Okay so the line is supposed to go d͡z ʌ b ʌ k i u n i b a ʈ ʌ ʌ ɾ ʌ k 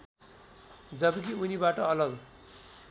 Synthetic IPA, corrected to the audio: d͡z ʌ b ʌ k i u n i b a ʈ ʌ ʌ l ʌ ɡ